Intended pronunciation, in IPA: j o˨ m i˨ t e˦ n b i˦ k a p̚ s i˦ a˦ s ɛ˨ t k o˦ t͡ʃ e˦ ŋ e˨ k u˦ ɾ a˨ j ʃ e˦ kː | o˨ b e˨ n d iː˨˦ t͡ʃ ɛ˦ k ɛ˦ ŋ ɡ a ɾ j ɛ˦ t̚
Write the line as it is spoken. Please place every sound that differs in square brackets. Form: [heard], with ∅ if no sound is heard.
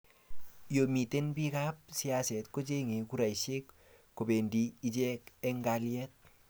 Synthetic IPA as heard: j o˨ m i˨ t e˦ n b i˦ k a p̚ s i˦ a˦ s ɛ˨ t k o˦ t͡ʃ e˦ ŋ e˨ k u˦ ɾ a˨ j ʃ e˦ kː | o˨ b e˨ n d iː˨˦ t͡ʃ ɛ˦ k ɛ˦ ŋ ɡ a [l] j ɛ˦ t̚